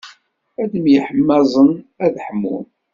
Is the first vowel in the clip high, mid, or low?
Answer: low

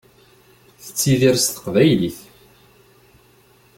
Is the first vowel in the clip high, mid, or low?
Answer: mid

